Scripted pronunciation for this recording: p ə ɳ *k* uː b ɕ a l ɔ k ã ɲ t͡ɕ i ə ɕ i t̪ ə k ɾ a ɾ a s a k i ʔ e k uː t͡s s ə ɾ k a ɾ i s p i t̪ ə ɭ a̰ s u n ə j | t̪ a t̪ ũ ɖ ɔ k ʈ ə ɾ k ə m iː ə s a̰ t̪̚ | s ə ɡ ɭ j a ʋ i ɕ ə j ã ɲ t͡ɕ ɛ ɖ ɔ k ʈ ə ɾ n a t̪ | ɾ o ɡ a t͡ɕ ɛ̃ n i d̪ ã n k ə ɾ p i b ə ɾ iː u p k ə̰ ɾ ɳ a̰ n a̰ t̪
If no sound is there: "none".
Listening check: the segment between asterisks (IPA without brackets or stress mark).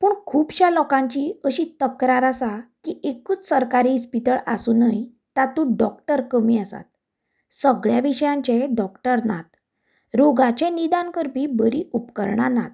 kʰ